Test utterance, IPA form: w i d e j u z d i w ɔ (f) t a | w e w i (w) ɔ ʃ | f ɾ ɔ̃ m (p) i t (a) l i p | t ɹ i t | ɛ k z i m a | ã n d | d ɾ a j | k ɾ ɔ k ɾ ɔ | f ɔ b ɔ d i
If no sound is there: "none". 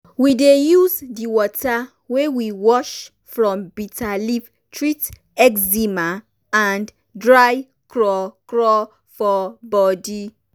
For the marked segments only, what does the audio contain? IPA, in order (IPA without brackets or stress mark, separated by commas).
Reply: none, w, b, a